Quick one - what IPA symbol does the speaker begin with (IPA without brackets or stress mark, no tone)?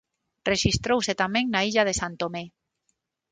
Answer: r